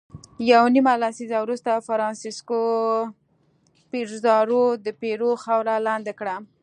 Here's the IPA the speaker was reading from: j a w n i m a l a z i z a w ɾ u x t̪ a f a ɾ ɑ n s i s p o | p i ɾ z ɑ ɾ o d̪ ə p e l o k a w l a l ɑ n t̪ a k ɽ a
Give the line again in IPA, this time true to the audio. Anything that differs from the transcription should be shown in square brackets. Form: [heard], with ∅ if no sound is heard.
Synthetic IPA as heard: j a w n i m a l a [s] i z a w ɾ u [s] t̪ a f a ɾ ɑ n s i s [k] o | p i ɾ z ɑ ɾ o d̪ ə p e [ɾ] o [x] a w [ɾ] a l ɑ n [d̪] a k ɽ a

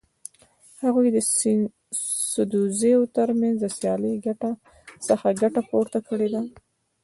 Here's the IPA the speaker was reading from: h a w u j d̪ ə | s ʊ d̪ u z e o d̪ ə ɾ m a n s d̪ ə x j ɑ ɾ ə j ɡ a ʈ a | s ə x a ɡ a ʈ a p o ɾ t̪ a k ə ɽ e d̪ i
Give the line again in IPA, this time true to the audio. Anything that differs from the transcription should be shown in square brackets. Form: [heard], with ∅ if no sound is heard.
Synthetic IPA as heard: h a [ɣ] u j d̪ ə | s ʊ d̪ u z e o [t̪] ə ɾ m a n [z] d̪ ə [s] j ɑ [l] ə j ɡ a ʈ a | s ə x a ɡ a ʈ a p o ɾ t̪ a k ə ɽ e d̪ [a]

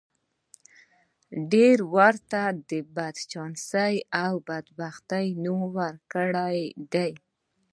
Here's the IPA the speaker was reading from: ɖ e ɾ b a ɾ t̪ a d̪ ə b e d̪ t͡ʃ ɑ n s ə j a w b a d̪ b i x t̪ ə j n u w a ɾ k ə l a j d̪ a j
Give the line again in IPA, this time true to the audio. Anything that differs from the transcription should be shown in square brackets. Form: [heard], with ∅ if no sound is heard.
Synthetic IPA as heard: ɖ e ɾ [w] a ɾ t̪ a d̪ ə b [a] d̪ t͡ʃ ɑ n s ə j a w b a d̪ b [a] x t̪ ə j n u w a ɾ k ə [ɽ] a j d̪ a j

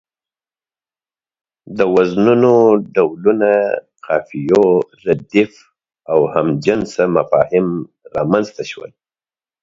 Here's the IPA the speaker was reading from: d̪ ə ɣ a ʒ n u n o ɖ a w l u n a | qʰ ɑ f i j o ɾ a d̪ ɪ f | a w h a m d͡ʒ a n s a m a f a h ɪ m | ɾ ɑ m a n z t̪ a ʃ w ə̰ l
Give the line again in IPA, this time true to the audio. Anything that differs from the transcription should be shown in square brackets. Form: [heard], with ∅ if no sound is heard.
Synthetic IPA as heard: d̪ ə [w] a [z] n u n o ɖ a w l u n a | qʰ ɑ f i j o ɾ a d̪ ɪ f | a w h a m d͡ʒ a n s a m a f [ɑ] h ɪ m | ɾ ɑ m a n z t̪ a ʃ w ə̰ l

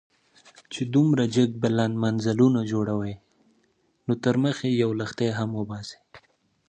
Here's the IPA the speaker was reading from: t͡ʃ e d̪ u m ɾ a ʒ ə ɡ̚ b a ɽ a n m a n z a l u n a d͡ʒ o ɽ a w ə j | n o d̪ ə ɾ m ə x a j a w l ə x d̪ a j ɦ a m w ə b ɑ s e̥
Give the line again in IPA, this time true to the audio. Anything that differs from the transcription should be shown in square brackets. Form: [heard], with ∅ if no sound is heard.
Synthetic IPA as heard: t͡ʃ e d̪ u m ɾ a [d͡ʒ] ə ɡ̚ b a [l] a n m a n z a l u n a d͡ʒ o ɽ a w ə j | n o [t̪] ə ɾ m ə x [e] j a w l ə x [t̪] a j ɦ a m w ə b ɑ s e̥

